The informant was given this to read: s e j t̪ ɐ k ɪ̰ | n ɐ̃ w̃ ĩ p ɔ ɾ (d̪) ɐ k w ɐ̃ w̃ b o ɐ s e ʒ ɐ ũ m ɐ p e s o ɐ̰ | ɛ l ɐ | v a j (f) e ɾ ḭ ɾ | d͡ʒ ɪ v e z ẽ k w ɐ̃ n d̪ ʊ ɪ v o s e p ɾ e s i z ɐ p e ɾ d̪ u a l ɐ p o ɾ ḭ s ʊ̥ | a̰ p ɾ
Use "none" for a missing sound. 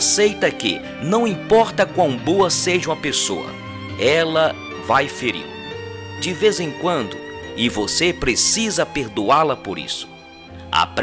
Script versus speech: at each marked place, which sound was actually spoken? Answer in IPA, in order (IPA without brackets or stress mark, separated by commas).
t̪, f